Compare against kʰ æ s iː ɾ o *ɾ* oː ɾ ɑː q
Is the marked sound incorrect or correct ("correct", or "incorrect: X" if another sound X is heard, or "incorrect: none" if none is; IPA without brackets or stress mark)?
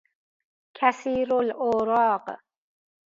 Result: incorrect: l